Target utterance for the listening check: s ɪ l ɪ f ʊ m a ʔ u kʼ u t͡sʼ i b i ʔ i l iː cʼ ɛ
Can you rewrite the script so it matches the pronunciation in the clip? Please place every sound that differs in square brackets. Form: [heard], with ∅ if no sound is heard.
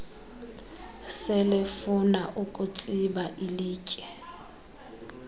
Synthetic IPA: s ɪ l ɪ f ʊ [n] a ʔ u kʼ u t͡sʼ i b [a] ʔ i l iː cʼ ɛ